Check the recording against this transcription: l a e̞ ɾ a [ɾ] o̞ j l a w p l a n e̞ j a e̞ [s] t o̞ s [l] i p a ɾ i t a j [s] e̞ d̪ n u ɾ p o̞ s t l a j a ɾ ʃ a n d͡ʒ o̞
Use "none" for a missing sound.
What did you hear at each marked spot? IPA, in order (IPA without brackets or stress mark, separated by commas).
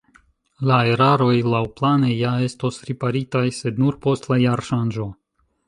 ɾ, s, ɾ, s